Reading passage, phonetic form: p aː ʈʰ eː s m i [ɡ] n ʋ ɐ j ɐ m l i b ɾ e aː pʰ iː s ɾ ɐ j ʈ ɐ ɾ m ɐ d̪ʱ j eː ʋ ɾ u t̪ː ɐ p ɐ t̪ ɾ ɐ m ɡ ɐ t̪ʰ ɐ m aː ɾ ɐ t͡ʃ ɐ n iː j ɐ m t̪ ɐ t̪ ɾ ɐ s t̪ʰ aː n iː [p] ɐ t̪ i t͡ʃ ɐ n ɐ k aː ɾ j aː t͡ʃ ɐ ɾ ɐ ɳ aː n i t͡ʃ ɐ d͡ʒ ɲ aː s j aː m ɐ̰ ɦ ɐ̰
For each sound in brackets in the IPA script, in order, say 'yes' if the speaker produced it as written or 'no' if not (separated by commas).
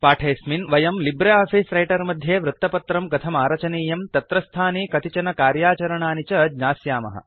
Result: no, no